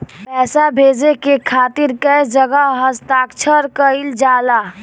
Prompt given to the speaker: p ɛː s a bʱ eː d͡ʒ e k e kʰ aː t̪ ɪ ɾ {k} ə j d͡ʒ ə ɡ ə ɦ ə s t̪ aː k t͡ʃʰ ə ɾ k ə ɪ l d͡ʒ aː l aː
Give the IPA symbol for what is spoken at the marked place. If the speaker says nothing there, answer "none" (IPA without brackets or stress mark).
k